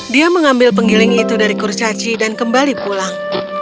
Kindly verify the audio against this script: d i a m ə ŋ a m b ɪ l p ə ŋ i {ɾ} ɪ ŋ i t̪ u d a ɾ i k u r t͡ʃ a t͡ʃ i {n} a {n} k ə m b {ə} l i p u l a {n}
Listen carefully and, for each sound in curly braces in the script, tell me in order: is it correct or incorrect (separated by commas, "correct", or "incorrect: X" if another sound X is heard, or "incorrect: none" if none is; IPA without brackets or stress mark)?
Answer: incorrect: l, incorrect: d, correct, incorrect: a, incorrect: ŋ